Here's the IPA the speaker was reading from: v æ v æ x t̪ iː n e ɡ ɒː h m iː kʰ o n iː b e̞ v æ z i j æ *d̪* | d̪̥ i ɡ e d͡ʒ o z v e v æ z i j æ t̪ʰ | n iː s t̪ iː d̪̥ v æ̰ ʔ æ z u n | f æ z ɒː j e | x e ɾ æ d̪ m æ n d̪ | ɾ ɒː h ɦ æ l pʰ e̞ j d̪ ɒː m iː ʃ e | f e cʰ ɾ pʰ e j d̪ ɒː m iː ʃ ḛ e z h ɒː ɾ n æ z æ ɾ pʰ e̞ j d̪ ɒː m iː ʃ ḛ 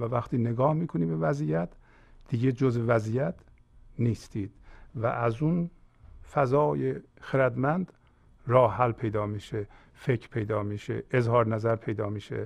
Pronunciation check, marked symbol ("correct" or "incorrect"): incorrect